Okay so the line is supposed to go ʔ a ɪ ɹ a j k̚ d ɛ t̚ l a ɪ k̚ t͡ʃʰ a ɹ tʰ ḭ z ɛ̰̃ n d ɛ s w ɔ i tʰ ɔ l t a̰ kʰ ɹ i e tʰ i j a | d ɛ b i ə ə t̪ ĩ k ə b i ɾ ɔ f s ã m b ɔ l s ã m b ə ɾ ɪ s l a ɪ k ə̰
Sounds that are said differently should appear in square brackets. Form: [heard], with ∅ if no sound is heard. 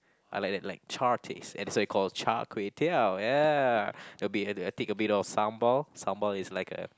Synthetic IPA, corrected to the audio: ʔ a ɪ [l] a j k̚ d ɛ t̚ l a ɪ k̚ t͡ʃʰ a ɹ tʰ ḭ [s] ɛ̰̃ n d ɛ s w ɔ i [kʰ] ɔ l [t͡ʃ] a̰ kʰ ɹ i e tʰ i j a | d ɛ b i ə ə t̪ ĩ k ə b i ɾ ɔ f s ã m b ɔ l s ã m b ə [l] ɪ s l a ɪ k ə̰